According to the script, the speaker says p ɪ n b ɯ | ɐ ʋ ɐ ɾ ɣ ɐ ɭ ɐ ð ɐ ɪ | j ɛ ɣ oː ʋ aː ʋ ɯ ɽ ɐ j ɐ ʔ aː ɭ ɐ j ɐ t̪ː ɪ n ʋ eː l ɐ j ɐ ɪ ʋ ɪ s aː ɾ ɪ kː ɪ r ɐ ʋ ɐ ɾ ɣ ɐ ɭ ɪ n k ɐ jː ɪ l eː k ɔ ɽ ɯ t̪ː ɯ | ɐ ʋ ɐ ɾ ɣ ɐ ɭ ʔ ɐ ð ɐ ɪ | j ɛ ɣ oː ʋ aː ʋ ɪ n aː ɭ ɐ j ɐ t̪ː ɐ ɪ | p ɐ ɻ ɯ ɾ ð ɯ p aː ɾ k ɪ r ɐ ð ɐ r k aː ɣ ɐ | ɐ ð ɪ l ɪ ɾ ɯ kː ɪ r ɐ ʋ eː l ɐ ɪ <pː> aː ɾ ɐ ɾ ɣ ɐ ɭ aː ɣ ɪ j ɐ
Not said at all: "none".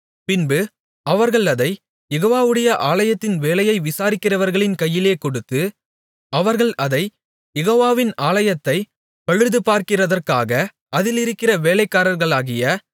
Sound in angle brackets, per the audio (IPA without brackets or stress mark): kː